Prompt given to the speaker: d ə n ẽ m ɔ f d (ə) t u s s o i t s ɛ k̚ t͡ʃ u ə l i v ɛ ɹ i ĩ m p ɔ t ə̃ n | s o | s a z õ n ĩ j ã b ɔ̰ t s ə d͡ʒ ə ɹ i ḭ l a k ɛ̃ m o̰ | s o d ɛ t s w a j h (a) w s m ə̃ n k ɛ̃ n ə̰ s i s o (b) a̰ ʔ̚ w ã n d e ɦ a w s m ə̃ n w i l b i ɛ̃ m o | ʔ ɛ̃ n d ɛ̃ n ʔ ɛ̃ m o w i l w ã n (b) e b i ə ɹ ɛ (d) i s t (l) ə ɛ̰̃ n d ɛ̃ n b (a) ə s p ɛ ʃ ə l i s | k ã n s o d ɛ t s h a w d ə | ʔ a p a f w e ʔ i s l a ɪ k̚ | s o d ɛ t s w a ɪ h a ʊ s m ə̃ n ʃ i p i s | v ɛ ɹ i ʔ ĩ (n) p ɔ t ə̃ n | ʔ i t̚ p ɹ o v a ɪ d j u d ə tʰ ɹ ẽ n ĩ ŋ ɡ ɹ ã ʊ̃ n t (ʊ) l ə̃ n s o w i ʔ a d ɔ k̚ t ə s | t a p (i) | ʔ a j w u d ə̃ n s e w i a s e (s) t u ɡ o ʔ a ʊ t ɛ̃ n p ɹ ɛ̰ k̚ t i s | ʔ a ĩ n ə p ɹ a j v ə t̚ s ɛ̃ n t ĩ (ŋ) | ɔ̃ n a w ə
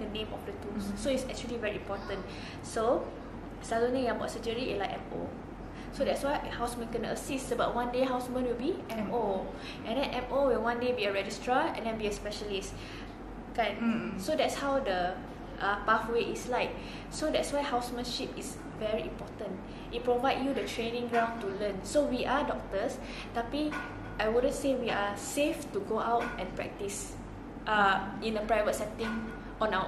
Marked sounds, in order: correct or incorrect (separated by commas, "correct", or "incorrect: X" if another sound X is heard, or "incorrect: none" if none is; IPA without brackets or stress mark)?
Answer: correct, correct, correct, incorrect: d, incorrect: d͡ʒ, incorrect: ɹ, incorrect: i, incorrect: m, incorrect: u, correct, incorrect: f, correct